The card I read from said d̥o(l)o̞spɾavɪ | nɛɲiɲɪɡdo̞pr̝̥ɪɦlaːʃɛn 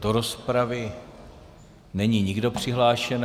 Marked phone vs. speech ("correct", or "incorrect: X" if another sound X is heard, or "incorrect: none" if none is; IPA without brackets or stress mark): incorrect: ɾ